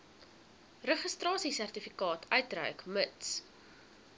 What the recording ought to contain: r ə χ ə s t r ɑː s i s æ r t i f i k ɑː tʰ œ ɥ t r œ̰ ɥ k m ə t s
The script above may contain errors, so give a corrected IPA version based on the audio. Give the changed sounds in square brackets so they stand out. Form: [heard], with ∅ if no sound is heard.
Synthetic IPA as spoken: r ə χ ə s t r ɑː s i s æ r t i f i k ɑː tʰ œ ɥ t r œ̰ ɥ k m ə t s